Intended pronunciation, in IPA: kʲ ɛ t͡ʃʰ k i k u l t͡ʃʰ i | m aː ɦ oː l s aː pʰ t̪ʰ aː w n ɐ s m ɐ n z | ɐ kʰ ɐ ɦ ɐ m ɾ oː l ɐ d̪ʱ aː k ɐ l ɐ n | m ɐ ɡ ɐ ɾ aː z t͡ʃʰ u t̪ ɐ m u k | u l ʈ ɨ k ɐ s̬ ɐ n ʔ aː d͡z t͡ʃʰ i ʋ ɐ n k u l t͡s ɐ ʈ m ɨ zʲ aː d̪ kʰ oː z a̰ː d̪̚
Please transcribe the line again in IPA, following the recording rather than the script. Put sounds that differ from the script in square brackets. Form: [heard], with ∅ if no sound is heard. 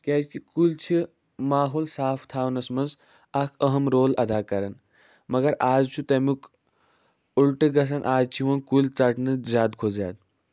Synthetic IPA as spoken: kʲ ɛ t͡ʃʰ k i k u l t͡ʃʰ i | m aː ɦ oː l s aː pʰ t̪ʰ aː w n ɐ s m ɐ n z | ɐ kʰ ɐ ɦ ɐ m ɾ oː l ɐ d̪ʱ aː k ɐ [ɾ] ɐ n | m ɐ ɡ ɐ ɾ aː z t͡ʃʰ u t̪ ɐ m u k | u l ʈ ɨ [ɡ] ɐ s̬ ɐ n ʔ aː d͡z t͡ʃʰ i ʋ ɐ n k u l t͡s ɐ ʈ [n] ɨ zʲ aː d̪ kʰ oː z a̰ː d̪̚